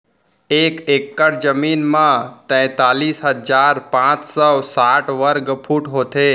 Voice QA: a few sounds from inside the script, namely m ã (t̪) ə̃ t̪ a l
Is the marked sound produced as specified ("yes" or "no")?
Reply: yes